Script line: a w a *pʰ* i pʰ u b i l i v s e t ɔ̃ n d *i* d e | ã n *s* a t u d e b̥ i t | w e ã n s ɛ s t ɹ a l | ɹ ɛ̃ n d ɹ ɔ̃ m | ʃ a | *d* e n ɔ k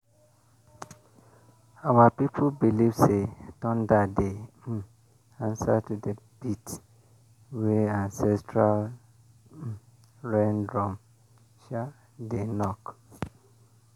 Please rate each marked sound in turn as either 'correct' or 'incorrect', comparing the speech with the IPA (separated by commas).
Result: incorrect, incorrect, correct, correct